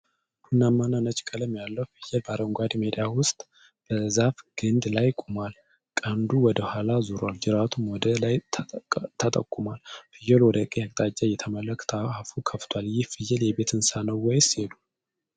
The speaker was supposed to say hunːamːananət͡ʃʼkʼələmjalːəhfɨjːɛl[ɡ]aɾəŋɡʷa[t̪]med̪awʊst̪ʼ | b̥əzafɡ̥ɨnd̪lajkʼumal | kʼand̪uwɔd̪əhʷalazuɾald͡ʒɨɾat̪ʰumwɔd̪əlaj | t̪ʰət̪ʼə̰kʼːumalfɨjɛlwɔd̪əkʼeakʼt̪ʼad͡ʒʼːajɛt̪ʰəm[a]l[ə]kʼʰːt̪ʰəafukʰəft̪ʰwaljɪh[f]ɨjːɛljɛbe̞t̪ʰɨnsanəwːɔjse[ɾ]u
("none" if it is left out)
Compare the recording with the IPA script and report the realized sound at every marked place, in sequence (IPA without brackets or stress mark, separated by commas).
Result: b, d̪, ə, ə, f, l